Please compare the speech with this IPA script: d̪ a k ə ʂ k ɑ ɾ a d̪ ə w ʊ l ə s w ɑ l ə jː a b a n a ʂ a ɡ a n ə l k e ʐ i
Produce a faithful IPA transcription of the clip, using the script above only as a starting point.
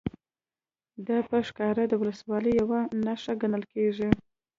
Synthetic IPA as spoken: d̪ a p ə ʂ k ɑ ɾ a d̪ ə w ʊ l ə s w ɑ l ə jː a w a n a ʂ a ɡ a n ə l k e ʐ i